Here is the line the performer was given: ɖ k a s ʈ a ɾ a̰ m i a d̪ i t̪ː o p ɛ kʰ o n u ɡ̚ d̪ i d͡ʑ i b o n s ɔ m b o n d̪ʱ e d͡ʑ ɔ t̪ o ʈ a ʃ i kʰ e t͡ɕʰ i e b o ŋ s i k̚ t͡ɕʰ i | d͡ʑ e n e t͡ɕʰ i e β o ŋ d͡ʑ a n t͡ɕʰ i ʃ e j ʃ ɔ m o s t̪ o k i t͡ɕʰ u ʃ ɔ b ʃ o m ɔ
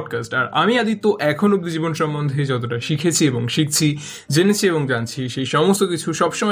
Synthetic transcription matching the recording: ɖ k a s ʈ a ɾ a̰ m i a d̪ i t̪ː o ʔ ɛ kʰ o n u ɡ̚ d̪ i d͡ʑ i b o n ʃ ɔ m b o n d̪ʱ e d͡ʑ ɔ t̪ o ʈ a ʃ i kʰ e t͡ɕʰ i e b o ŋ ʃ i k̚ t͡ɕʰ i | d͡ʑ e n e t͡ɕʰ i e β o ŋ d͡ʑ a n t͡ɕʰ i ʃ e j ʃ ɔ m o s t̪ o k i t͡ɕʰ u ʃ ɔ b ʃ o m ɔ